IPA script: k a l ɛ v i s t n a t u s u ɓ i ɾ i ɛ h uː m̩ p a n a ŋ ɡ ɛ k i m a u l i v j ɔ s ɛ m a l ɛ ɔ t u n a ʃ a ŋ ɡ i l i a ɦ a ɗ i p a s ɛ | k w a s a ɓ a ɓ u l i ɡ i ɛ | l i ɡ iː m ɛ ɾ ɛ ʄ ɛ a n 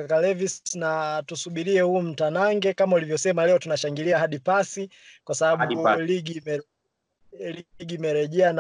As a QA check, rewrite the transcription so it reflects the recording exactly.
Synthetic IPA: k a l ɛ v i s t n a t u s u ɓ i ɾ i ɛ h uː m̩ t a n a ŋ ɡ ɛ k a m a u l i v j ɔ s ɛ m a l ɛ ɔ t u n a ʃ a ŋ ɡ i l i a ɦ a ɗ i p a s i | k w a s a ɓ a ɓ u l i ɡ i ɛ | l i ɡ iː m ɛ ɾ ɛ ʄ ɛ a n